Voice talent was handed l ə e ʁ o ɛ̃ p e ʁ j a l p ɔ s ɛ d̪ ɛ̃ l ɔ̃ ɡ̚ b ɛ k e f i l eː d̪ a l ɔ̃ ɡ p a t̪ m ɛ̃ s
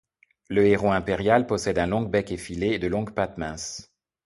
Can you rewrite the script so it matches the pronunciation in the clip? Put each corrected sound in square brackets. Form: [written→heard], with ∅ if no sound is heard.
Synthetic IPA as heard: l ə e ʁ o ɛ̃ p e ʁ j a l p ɔ s ɛ d̪ ɛ̃ l ɔ̃ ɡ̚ b ɛ k e f i l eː d̪ [a→ə] l ɔ̃ ɡ p a t̪ m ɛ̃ s